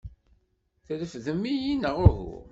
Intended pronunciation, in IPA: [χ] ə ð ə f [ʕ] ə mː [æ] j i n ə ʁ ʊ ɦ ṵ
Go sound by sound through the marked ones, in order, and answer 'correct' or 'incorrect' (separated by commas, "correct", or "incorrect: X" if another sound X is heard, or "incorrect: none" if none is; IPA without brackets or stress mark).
incorrect: θ, incorrect: ð, incorrect: i